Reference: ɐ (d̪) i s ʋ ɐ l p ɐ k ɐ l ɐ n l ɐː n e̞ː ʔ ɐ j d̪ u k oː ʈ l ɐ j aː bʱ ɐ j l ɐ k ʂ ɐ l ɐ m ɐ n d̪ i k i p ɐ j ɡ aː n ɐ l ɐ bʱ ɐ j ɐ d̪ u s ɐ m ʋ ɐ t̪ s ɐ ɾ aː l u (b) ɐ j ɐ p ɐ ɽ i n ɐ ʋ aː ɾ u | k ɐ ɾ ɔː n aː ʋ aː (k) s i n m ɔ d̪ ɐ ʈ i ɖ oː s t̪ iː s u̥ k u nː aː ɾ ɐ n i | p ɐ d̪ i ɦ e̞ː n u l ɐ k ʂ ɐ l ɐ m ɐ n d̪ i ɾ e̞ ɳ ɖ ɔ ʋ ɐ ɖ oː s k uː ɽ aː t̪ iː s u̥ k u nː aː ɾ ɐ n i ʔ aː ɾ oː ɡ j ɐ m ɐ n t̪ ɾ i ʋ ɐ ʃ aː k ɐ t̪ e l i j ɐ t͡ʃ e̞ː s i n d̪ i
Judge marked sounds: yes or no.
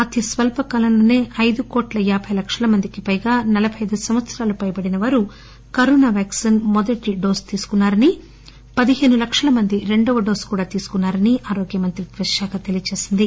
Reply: no, no, yes

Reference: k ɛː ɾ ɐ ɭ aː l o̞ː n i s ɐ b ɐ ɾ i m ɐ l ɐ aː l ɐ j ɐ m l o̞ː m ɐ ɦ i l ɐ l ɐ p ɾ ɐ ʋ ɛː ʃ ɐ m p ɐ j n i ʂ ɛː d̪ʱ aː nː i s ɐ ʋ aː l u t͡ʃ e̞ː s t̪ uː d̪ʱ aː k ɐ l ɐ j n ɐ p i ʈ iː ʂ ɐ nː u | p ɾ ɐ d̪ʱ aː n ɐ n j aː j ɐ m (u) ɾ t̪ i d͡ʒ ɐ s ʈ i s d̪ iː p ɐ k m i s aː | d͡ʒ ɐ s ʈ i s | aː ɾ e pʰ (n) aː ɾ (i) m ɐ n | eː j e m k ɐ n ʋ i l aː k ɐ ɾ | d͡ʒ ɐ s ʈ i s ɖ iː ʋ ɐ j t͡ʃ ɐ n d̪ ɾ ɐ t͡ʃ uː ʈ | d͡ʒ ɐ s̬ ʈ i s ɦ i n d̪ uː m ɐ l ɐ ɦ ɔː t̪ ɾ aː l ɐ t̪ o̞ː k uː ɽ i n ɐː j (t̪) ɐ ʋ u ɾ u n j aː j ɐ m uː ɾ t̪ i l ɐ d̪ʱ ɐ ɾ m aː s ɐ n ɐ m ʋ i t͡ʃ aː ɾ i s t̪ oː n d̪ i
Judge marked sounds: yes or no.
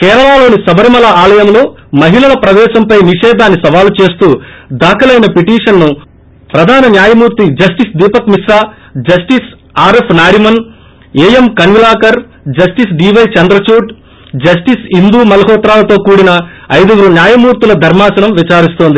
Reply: no, yes, yes, no

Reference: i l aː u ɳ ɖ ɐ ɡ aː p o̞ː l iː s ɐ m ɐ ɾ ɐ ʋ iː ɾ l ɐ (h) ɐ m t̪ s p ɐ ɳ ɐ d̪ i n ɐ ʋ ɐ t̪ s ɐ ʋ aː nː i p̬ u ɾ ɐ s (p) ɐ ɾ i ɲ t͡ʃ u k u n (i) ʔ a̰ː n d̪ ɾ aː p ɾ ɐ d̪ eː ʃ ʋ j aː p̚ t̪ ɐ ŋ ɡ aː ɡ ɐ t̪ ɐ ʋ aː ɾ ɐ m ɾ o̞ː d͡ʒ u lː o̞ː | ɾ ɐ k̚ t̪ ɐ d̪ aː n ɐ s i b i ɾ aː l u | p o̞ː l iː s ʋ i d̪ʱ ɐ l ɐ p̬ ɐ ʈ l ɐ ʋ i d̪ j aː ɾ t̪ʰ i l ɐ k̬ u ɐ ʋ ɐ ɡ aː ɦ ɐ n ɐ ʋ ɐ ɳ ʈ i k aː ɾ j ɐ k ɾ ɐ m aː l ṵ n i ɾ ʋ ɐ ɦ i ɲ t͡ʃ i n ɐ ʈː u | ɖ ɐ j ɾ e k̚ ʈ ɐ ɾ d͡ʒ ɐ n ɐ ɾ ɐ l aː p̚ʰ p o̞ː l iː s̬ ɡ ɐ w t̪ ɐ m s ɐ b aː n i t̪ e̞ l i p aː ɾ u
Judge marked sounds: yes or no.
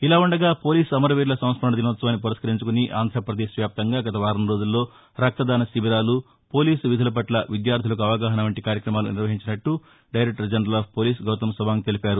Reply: no, no, yes

